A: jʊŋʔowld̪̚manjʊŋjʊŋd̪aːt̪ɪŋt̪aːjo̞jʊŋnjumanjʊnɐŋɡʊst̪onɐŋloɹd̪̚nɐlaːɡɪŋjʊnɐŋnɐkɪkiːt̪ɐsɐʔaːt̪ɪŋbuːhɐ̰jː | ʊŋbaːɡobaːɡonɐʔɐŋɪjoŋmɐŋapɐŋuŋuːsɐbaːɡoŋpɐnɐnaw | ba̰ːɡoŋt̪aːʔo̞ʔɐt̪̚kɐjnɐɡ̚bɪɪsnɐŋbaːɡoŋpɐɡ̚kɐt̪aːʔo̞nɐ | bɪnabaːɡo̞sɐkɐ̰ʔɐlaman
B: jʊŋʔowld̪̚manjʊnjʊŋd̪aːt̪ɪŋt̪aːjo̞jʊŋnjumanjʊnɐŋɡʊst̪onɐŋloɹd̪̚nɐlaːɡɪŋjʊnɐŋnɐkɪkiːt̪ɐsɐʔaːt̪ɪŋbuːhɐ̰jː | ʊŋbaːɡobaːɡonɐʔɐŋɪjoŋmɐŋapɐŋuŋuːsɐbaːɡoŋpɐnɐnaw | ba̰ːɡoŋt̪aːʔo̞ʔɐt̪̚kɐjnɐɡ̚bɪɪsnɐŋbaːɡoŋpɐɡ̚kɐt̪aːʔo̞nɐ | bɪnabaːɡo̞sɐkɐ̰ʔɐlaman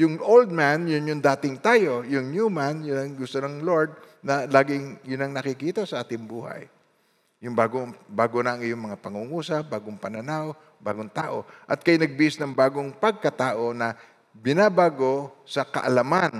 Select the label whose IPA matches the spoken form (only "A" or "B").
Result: B